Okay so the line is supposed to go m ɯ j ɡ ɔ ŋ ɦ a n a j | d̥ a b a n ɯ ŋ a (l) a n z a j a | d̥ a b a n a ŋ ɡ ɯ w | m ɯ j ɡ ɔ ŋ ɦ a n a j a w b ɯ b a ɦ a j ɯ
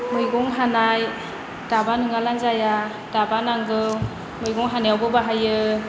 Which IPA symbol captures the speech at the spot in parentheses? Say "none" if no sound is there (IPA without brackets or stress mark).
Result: l